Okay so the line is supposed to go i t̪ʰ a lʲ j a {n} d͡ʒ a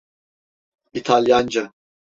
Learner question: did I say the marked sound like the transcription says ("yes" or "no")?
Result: yes